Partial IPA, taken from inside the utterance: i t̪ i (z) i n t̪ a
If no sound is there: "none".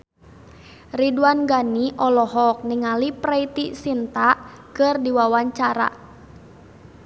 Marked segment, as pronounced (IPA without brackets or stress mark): s